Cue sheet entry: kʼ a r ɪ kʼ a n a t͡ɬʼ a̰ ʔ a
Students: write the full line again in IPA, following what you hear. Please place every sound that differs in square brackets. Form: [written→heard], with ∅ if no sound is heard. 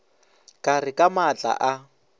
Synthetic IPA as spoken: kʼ a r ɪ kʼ a [n→m] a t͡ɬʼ a̰ ʔ a